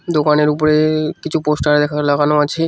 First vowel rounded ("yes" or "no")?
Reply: yes